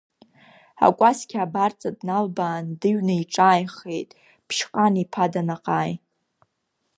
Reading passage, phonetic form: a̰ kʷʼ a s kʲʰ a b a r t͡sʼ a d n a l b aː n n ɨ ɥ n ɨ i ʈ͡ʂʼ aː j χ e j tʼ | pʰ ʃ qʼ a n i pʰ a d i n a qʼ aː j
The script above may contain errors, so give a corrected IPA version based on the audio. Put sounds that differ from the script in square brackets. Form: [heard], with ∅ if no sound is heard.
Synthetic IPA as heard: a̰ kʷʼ a s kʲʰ a b a r t͡sʼ a d n a l b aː n [d] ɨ ɥ n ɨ i ʈ͡ʂʼ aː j χ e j tʼ | pʰ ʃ qʼ a n i pʰ a d [a] n a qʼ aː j